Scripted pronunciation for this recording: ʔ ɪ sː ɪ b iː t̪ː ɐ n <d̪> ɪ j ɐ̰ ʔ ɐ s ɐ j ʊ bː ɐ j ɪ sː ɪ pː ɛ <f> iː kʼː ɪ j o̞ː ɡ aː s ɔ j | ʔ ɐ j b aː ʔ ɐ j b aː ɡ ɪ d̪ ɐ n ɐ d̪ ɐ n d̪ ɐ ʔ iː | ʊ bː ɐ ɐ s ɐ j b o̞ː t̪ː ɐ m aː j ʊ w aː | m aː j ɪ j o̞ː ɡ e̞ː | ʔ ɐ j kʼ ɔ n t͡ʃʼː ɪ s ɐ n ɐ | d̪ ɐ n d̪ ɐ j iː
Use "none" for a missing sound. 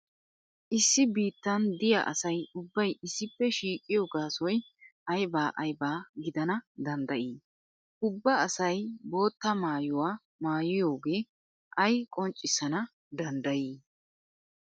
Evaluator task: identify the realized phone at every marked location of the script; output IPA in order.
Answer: d̪, ʃ

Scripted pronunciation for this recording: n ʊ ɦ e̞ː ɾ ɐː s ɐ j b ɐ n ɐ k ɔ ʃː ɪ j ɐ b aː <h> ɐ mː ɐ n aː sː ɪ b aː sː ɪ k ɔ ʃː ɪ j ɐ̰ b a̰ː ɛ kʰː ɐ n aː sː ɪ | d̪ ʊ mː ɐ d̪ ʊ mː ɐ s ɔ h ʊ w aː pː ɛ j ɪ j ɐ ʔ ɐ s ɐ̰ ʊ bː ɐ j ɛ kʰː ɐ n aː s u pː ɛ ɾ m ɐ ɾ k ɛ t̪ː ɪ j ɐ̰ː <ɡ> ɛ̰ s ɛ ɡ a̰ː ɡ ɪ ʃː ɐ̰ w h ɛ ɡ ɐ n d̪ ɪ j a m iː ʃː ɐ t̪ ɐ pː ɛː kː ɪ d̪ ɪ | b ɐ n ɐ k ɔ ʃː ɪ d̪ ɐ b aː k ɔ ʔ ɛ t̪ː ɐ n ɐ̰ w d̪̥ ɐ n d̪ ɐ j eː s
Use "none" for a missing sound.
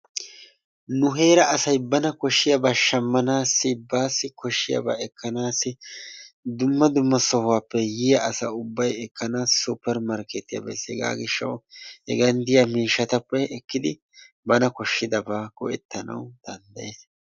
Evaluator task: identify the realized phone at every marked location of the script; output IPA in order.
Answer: ʃ, b

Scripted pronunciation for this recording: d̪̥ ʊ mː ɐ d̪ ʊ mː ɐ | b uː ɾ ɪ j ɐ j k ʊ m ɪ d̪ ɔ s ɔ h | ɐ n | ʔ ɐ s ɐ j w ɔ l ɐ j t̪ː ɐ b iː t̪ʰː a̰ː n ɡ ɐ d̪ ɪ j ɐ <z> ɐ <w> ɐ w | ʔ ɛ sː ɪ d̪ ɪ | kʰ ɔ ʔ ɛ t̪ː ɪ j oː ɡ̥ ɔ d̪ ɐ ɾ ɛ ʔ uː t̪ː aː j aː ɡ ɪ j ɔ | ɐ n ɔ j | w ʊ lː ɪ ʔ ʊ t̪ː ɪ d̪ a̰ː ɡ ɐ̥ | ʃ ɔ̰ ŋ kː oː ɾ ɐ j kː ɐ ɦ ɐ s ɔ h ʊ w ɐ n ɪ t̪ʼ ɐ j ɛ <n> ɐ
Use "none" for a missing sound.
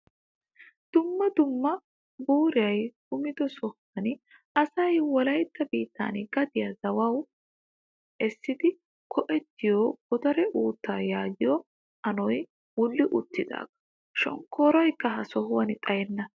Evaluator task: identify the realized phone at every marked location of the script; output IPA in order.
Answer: z, w, nː

